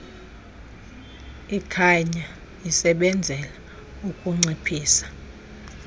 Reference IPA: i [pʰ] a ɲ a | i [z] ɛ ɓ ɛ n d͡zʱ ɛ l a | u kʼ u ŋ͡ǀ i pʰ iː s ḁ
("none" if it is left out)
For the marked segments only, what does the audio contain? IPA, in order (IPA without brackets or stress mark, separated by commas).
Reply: kʰ, s